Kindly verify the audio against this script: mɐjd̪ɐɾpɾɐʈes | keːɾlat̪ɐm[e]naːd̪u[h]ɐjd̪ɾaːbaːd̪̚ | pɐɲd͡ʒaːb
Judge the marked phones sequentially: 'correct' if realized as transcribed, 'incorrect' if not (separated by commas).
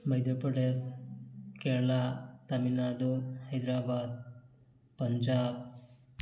incorrect, correct